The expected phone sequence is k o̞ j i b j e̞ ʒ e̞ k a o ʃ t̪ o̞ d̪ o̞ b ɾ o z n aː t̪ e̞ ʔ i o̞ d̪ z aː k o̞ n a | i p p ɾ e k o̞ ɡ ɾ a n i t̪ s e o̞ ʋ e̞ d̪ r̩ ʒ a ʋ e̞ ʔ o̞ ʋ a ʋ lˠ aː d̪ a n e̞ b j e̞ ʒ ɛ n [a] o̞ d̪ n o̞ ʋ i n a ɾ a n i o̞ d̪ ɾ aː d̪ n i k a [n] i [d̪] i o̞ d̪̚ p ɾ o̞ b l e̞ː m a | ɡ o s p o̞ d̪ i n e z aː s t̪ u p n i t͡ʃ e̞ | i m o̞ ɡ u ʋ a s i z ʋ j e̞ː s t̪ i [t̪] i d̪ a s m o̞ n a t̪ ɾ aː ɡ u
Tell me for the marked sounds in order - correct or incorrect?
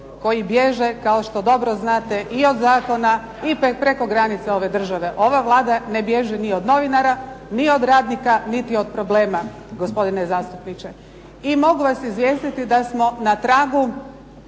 incorrect: i, correct, incorrect: t̪, correct

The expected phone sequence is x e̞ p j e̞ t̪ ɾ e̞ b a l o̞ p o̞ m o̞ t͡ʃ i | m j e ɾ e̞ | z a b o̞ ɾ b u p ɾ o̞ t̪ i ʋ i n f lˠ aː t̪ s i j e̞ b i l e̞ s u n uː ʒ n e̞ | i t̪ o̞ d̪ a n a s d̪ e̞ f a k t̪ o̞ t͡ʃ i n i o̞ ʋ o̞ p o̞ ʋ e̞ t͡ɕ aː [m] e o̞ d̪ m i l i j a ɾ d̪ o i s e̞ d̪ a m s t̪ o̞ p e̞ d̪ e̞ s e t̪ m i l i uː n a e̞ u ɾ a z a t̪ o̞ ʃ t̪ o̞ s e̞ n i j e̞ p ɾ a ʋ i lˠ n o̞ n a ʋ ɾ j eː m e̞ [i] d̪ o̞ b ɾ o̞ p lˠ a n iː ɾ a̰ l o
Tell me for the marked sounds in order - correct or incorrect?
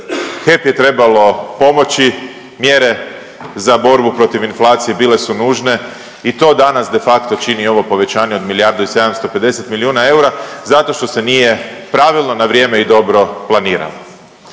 incorrect: ɲ, correct

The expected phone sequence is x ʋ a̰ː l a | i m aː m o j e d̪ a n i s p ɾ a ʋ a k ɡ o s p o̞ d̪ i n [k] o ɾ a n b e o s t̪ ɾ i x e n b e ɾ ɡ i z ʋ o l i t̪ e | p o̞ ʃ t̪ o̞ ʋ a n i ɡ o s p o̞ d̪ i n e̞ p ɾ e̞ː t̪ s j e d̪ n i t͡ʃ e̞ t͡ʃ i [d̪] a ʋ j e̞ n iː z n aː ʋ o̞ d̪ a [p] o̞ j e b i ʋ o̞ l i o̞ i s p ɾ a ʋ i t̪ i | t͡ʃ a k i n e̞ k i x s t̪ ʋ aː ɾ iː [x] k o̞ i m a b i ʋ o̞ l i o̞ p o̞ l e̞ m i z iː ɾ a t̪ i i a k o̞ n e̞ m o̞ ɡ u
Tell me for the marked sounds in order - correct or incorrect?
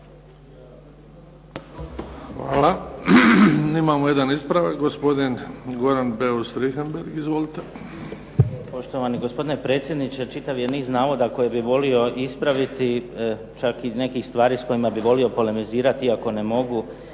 incorrect: ɡ, incorrect: t̪, incorrect: k, incorrect: s

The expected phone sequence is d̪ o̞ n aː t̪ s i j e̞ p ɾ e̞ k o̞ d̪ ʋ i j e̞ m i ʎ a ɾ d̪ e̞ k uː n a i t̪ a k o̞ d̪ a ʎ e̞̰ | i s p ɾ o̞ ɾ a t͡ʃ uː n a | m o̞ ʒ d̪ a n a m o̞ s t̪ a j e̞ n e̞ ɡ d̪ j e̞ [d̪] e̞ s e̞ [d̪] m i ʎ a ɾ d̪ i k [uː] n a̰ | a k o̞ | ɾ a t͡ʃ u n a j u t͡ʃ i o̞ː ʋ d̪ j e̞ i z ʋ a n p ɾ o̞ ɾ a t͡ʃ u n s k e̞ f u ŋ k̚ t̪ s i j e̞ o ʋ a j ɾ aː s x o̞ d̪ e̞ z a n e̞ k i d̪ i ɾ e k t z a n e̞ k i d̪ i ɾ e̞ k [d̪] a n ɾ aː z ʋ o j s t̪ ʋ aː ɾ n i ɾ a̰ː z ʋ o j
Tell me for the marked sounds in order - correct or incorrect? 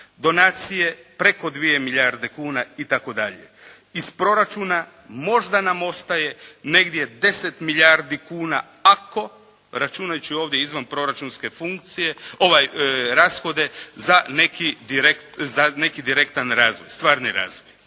correct, incorrect: t̪, correct, incorrect: t̪

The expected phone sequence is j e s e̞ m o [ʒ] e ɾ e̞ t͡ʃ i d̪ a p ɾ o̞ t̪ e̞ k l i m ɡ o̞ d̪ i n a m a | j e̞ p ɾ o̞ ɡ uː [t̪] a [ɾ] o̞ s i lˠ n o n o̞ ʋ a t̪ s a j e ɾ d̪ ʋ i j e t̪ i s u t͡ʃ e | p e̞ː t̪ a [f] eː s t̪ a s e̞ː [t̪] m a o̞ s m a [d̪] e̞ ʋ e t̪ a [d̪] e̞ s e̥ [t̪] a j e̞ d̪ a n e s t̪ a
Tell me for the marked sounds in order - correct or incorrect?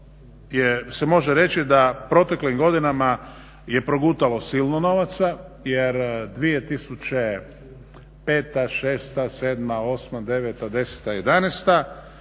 correct, correct, incorrect: l, incorrect: ʃ, incorrect: d̪, correct, correct, correct

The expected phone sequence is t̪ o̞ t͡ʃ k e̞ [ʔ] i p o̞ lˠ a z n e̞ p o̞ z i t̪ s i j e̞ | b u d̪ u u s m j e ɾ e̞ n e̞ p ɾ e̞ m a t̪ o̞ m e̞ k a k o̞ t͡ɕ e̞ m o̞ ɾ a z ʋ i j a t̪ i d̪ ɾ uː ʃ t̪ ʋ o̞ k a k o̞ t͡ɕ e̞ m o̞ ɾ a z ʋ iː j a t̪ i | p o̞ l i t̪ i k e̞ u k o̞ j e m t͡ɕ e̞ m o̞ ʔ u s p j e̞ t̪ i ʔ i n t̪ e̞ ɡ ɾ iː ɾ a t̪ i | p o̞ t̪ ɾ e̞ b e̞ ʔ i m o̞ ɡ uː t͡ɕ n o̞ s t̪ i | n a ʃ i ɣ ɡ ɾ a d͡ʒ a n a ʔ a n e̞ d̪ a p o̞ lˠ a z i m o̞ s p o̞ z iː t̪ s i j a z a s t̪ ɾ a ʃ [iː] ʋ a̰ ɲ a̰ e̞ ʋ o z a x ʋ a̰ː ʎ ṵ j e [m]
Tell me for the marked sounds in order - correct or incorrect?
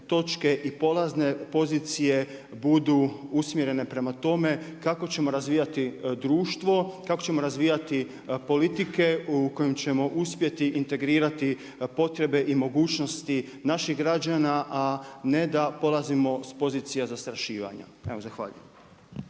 correct, correct, correct

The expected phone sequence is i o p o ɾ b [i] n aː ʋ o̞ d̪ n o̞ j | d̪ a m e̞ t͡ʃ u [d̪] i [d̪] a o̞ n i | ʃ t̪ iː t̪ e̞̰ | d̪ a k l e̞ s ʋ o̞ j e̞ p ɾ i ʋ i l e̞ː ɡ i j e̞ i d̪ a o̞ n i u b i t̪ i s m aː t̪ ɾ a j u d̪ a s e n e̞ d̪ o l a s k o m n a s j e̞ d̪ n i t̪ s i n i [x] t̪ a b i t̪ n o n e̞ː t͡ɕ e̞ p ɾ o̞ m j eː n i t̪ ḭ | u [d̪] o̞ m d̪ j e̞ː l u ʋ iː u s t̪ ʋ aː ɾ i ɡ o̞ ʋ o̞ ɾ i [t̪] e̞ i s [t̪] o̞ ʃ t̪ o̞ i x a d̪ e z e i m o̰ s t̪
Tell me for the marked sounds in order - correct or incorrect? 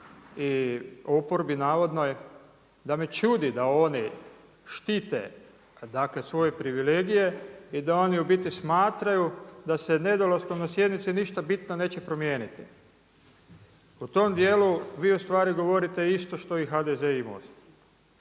correct, correct, correct, incorrect: ʃ, incorrect: t̪, correct, correct

